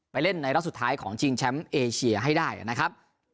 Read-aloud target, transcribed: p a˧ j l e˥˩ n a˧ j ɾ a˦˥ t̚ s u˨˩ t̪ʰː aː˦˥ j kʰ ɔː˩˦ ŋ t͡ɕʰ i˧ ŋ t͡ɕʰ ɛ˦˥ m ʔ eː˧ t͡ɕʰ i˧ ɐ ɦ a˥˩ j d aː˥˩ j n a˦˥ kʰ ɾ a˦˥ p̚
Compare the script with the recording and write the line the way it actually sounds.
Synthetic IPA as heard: p a˧ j l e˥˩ nː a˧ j ɾ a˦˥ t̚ s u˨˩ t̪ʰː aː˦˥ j kʰ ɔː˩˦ ŋ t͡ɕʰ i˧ ŋ t͡ɕʰ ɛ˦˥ m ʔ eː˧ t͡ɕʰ i˧ ɐ ɦ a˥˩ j d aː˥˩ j n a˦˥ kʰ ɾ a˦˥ p̚